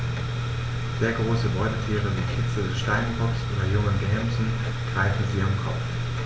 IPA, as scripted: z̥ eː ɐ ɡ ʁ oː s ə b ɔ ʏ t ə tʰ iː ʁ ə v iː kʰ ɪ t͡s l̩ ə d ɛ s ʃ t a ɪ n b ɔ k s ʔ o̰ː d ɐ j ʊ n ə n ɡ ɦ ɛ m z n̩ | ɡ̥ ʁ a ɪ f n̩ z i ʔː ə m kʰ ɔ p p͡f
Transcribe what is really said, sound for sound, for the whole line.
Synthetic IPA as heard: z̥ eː ɐ ɡ ʁ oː s ə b ɔ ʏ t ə tʰ iː ʁ ə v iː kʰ ɪ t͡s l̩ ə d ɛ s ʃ t a ɪ n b ɔ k s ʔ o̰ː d ɐ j ʊ ŋ ə n ɡ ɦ ɛ m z n̩ | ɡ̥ ʁ a ɪ f n̩ z i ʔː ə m kʰ ɔ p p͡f